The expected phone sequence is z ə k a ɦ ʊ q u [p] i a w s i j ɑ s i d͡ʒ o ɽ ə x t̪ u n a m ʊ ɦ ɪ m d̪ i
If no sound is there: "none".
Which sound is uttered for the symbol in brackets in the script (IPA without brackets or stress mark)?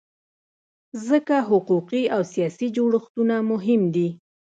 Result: q